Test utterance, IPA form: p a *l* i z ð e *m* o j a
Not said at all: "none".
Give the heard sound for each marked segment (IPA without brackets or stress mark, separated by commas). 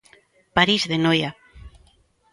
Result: ɾ, n